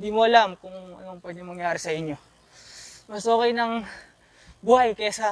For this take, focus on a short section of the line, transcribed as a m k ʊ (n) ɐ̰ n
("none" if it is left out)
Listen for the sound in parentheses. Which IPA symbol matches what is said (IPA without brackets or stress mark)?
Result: ŋ